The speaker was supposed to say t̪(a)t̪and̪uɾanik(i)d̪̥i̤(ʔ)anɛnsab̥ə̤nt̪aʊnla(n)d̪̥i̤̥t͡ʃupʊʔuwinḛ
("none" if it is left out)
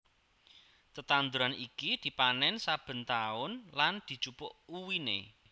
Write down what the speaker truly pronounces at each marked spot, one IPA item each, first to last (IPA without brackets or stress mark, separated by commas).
ə, i, p, n